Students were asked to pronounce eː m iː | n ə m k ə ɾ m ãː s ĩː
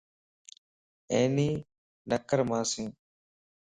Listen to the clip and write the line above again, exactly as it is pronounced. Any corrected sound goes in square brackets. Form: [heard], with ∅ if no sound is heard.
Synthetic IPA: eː [n] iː | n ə [∅] k ə ɾ m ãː s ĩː